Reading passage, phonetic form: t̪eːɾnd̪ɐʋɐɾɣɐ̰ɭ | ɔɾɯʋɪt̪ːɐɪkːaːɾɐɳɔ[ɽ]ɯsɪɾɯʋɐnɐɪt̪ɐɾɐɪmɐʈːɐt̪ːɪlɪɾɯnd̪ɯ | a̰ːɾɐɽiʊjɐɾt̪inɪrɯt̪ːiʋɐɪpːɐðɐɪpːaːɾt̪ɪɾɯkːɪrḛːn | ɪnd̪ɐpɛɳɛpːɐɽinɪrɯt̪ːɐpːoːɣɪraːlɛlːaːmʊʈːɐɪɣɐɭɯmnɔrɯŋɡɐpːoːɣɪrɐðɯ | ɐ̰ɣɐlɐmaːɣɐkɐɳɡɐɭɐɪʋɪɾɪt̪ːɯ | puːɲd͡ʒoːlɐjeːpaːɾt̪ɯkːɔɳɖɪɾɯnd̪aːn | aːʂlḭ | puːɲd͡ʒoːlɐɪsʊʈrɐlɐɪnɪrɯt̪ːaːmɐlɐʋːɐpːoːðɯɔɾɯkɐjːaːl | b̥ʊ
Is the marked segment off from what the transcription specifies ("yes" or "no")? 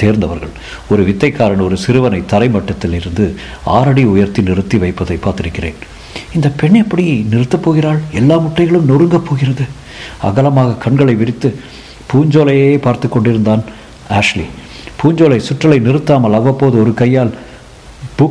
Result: yes